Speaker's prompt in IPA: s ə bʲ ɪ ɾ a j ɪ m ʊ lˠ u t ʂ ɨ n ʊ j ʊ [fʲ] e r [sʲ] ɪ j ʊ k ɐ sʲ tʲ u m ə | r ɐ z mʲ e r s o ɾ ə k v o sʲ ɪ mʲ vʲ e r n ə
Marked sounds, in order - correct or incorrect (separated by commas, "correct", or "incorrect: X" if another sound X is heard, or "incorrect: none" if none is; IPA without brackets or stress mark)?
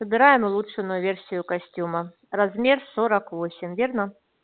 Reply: incorrect: vʲ, correct